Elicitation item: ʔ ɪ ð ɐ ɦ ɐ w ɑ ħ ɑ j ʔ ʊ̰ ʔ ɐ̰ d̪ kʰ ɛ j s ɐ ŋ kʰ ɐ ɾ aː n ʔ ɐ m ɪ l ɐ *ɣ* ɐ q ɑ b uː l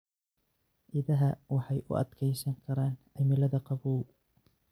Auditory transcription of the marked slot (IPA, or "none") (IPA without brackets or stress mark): ð